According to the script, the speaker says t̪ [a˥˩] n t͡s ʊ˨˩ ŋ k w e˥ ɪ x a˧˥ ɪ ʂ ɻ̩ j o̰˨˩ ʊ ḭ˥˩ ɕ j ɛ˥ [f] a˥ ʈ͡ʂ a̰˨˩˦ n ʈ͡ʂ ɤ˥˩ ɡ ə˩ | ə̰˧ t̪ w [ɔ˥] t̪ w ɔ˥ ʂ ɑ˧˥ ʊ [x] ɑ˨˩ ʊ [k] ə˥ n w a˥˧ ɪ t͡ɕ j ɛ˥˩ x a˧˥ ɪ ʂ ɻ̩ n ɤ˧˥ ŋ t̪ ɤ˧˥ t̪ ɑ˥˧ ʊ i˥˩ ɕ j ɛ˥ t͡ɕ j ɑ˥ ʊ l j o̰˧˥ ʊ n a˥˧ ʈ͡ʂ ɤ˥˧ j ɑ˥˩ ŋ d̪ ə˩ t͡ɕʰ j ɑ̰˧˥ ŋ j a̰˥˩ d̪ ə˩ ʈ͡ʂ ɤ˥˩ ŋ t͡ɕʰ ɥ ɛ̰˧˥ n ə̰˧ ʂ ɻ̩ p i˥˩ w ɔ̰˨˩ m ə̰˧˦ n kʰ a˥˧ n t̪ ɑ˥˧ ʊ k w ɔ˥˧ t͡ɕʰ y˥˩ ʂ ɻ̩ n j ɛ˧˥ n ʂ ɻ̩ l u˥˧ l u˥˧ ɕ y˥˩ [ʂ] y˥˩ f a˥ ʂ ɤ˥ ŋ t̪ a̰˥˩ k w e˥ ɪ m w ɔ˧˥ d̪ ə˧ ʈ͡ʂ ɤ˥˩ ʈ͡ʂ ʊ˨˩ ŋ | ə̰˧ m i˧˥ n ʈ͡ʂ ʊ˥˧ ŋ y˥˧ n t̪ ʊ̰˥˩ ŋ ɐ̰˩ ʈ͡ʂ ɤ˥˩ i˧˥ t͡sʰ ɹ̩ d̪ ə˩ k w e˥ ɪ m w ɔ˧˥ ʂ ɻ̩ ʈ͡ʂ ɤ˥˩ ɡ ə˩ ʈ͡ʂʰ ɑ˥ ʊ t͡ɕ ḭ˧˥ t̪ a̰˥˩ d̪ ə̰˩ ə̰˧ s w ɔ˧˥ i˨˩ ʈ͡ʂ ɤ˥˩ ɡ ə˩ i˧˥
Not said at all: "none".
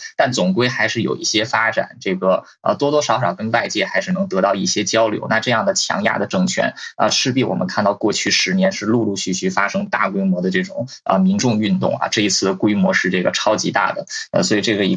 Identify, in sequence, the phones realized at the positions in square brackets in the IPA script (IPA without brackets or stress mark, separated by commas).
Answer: a˥˩, f, ɔ˥, ʂ, k, ɕ